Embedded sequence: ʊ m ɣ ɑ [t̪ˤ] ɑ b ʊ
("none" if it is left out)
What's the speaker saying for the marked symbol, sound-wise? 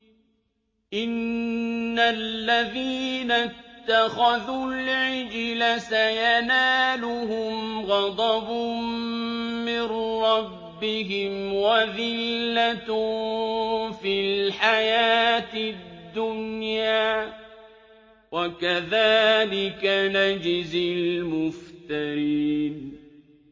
d̪ˤ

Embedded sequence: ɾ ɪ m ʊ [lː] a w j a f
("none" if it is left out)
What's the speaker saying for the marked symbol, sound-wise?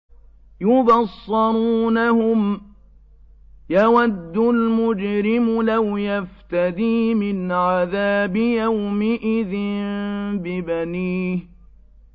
l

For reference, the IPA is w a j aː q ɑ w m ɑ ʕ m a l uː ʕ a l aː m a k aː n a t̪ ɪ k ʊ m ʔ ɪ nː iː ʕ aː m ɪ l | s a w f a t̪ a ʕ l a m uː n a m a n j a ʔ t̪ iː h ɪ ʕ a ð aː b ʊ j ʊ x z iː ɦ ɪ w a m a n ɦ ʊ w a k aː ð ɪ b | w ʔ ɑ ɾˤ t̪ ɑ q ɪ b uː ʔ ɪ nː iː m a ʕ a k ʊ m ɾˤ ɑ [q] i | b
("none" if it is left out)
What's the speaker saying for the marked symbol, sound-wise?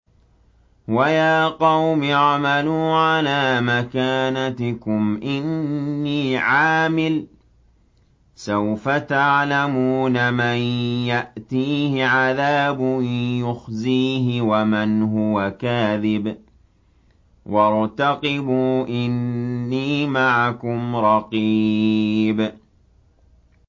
q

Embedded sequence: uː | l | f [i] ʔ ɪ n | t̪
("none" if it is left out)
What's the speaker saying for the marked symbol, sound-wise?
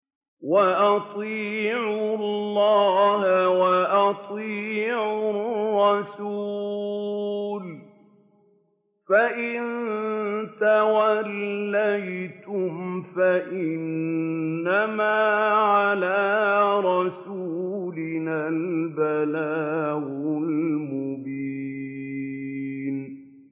a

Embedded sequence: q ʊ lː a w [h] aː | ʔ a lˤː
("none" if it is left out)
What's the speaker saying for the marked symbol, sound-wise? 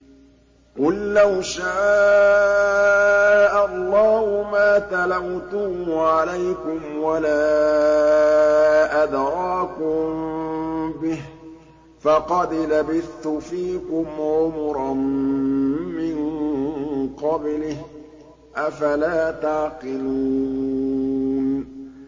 ʃ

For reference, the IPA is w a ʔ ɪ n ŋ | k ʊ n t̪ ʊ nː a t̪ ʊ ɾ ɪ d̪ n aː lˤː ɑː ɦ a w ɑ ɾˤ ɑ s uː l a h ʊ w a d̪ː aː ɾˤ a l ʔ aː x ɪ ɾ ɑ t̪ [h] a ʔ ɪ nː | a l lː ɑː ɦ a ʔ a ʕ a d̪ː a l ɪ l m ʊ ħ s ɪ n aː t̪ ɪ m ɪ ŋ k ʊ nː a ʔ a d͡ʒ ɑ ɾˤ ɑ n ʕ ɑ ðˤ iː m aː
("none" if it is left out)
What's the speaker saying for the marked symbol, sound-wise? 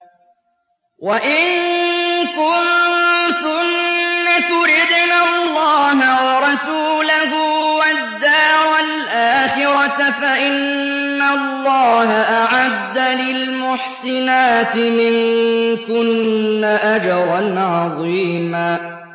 f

